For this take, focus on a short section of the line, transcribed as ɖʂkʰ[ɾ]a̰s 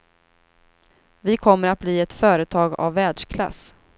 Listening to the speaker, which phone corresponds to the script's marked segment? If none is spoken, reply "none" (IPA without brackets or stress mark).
l